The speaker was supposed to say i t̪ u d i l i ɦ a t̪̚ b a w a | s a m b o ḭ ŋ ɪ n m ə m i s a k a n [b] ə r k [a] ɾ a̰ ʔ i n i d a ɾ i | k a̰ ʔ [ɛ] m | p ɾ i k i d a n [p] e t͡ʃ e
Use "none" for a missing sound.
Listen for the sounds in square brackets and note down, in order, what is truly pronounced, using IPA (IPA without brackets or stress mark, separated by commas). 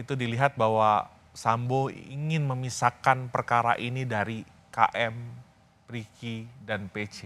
p, a, ɛ, p